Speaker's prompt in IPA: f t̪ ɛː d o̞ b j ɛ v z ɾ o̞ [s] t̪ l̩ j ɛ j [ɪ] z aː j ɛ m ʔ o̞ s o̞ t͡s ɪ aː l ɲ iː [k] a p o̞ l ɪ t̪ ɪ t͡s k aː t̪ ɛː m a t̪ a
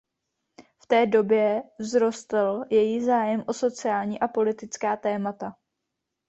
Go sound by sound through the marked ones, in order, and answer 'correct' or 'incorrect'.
correct, incorrect: i, incorrect: ʔ

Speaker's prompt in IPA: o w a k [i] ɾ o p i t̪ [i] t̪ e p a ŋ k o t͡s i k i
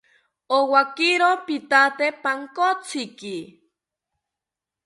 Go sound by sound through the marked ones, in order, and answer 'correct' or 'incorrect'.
correct, incorrect: a

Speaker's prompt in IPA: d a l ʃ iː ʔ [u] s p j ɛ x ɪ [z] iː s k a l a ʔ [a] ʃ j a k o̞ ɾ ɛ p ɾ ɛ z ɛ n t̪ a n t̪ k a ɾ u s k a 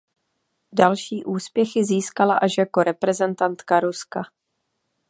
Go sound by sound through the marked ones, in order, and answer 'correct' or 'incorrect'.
incorrect: uː, correct, correct

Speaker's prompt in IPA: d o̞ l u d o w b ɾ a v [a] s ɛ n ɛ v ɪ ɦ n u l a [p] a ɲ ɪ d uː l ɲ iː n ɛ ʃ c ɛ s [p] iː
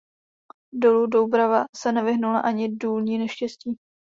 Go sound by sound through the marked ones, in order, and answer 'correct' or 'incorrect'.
correct, incorrect: ʔ, incorrect: c

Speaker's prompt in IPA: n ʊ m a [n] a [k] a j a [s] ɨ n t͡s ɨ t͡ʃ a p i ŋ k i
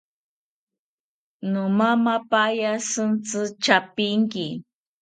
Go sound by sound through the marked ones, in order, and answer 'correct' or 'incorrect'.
incorrect: m, incorrect: p, correct

